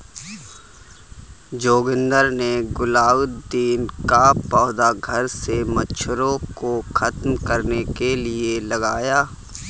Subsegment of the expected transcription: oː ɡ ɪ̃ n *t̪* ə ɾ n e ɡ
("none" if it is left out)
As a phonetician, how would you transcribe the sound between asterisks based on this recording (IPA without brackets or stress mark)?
d̪